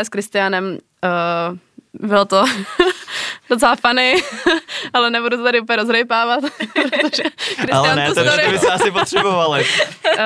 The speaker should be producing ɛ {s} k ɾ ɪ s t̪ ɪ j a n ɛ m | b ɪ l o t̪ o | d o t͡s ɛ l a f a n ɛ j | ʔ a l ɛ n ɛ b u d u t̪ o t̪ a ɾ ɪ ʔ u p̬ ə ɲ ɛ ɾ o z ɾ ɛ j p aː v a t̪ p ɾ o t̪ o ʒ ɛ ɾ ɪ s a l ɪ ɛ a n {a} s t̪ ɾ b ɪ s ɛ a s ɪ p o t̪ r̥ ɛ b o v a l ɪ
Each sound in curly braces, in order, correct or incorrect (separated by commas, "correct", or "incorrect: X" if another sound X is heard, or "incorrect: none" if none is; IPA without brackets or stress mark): correct, incorrect: ɛ